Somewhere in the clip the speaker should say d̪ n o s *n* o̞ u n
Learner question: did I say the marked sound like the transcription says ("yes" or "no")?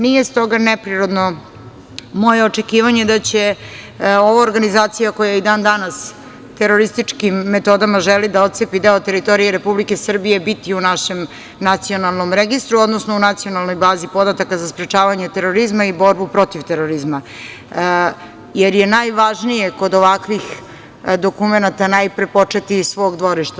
yes